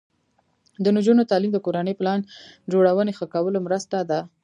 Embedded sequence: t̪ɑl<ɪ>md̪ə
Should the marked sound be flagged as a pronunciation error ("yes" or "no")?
yes